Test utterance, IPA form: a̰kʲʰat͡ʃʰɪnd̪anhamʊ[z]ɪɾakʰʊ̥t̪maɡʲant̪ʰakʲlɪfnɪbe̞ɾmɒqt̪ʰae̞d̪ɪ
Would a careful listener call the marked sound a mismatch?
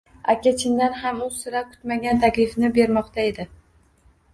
yes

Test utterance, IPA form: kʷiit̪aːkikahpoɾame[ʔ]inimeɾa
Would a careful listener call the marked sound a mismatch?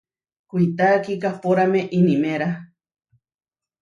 no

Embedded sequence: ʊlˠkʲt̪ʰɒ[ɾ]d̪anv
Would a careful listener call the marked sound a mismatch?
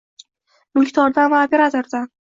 no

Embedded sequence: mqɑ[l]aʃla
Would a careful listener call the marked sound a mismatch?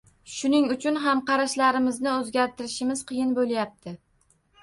yes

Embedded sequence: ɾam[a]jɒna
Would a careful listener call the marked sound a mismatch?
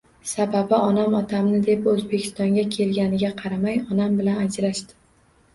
no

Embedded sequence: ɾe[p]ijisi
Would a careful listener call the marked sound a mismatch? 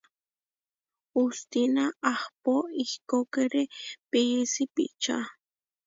no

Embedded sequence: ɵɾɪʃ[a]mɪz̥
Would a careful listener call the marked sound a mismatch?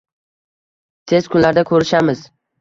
no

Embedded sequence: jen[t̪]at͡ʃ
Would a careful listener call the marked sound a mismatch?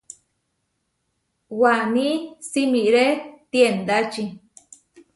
yes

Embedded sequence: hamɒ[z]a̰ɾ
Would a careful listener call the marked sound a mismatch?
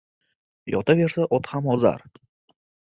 no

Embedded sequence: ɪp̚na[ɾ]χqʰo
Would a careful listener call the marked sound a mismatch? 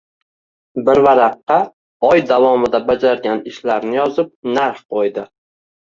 no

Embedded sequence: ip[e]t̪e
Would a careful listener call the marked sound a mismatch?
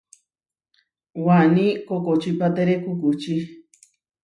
yes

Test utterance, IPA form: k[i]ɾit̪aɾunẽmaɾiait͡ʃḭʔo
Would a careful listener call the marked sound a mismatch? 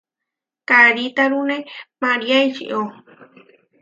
yes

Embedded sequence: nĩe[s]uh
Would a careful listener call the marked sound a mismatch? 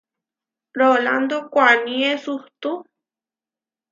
no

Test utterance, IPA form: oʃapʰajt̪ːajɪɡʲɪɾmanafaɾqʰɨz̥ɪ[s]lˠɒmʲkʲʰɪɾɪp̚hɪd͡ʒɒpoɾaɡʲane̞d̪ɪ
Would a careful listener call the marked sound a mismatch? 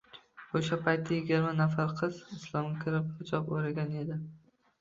no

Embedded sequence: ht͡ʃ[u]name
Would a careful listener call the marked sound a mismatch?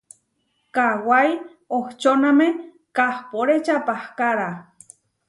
yes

